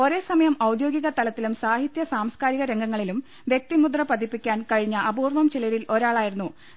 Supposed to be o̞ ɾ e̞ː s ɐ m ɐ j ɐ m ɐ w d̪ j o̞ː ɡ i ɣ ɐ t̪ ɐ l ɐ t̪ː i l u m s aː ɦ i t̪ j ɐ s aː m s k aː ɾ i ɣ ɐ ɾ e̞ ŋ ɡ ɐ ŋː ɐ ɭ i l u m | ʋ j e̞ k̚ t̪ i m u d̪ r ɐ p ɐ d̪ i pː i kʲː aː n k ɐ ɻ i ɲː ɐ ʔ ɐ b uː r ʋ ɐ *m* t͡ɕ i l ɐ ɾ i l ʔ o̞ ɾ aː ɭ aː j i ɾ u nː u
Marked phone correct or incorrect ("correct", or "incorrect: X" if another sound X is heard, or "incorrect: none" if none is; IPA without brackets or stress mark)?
correct